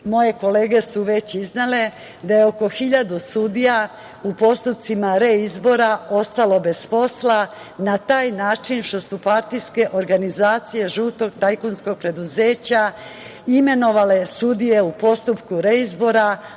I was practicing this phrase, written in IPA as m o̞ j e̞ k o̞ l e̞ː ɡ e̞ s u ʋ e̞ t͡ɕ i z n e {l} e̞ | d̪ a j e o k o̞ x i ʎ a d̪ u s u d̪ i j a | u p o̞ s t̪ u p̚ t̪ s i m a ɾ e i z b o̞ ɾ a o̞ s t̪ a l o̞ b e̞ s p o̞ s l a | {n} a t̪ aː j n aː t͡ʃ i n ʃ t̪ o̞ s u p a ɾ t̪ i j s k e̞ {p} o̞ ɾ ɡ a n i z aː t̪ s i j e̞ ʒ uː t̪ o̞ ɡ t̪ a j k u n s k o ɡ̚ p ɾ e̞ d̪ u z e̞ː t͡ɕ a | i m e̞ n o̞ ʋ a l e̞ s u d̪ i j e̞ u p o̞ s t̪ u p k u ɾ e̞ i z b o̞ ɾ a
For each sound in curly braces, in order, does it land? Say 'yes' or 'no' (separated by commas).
yes, yes, no